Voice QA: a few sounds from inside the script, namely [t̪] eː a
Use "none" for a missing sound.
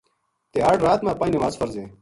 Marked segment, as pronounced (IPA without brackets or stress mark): t̪